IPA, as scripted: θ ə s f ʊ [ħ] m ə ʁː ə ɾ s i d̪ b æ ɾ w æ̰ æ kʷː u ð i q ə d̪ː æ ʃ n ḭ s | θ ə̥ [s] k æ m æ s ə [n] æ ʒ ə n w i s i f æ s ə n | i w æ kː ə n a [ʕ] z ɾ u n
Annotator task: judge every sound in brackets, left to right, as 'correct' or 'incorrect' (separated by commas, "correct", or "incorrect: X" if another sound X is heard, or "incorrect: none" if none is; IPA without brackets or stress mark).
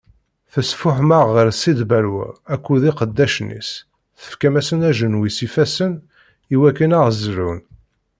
correct, incorrect: f, correct, incorrect: ʁ